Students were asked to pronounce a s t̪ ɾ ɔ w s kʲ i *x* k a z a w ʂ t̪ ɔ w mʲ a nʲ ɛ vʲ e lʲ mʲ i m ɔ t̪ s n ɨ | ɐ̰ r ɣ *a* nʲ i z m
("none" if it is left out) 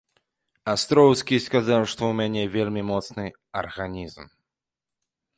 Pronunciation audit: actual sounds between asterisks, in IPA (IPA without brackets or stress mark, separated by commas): s, a